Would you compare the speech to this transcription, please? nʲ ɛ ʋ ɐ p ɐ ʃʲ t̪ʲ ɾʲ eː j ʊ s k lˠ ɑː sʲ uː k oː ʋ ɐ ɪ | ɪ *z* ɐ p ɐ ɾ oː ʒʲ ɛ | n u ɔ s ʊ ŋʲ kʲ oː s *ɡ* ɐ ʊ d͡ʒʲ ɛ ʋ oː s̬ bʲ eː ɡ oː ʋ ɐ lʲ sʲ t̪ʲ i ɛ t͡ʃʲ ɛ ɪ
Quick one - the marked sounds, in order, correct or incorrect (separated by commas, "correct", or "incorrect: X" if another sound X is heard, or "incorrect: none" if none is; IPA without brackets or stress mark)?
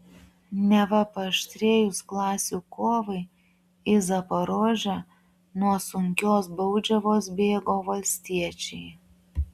correct, incorrect: b